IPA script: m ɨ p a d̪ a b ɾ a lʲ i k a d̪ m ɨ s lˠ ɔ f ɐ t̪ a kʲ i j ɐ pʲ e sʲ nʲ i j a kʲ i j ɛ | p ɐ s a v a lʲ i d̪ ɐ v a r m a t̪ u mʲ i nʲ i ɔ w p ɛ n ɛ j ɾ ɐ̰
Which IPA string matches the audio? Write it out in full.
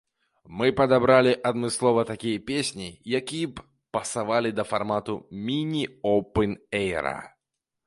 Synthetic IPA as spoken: m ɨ p ɐ d̪ a b ɾ a lʲ i ʔ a d̪ m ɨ s lˠ ɔ v ɐ t̪ a kʲ i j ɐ pʲ e sʲ nʲ i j a kʲ i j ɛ | p ɐ s a v a lʲ i d̪ ɐ f a r m a t̪ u mʲ i nʲ i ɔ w p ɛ n ɛ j ɾ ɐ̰